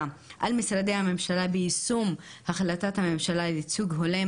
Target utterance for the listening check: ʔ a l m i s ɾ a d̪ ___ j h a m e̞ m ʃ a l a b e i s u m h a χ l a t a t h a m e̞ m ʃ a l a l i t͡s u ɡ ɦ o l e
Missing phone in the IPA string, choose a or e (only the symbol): e